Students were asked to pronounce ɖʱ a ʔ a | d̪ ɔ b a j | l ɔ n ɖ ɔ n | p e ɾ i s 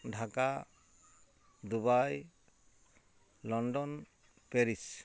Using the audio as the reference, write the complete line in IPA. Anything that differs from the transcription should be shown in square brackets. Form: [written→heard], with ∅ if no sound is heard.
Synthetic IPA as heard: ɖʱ a [ʔ→k] a | d̪ [ɔ→u] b a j | l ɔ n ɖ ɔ n | p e ɾ i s